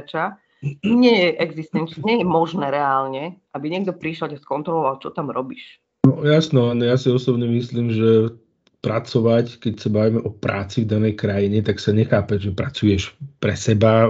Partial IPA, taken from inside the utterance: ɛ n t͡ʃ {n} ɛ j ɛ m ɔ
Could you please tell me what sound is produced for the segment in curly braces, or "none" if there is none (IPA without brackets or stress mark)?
ɲ